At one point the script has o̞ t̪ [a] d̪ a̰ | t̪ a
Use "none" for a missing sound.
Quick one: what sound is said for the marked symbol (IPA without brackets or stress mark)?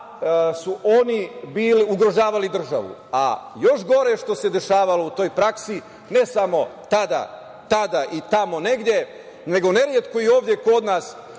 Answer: a